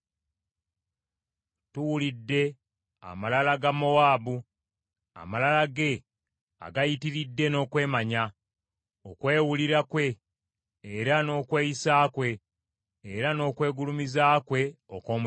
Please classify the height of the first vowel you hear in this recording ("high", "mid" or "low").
high